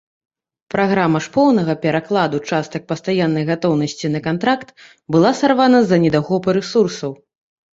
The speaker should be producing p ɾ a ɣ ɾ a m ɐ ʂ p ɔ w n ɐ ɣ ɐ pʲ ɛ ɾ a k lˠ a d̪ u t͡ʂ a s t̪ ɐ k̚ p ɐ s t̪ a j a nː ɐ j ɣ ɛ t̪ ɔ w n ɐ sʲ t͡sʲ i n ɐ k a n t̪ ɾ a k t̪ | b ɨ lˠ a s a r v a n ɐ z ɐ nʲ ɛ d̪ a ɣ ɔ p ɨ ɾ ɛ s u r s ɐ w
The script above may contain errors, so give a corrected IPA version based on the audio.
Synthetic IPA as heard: p ɾ a ɣ ɾ a m ɐ ʂ p ɔ w n ɐ ɣ ɐ pʲ ɛ ɾ a k lˠ a d̪ u t͡ʂ a s t̪ ɐ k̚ p ɐ s t̪ a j a nː ɐ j ɣ a t̪ ɔ w n ɐ sʲ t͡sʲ i n ɐ k a n t̪ ɾ a k t̪ | b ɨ lˠ a s a r v a n ɐ z ɐ nʲ ɛ d̪ a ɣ ɔ p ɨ ɾ ɛ s u r s ɐ w